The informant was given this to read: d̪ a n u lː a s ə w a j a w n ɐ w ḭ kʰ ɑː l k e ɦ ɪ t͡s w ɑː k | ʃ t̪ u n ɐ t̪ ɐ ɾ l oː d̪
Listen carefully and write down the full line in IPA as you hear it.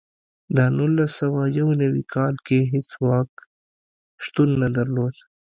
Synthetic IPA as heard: d̪ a n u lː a s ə w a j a w n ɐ w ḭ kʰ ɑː l k e ɦ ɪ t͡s w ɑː k | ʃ t̪ u nː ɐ d̪ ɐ ɾ l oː d̪